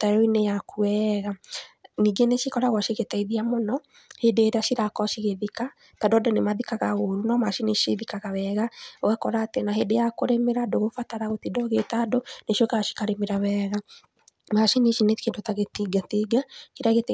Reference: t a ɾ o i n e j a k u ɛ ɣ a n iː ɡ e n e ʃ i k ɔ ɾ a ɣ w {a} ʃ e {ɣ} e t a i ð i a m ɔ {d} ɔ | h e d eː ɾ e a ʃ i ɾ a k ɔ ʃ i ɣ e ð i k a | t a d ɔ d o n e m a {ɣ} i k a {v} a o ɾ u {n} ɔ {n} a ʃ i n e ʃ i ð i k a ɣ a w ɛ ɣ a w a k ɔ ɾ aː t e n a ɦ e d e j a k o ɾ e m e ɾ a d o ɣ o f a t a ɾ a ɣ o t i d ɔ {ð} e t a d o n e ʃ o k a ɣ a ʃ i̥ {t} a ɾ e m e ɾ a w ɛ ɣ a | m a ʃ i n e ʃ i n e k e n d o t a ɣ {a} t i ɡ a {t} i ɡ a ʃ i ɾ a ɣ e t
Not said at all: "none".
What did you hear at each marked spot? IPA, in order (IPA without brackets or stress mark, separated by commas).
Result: a, ɣ, n, ð, ɣ, n, m, ɣ, k, e, t